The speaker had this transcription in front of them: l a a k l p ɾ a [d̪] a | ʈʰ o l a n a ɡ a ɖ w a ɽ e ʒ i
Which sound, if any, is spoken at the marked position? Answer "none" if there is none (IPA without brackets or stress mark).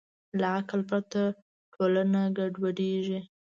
t̪